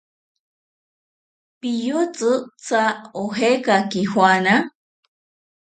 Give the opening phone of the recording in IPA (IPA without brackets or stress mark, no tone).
p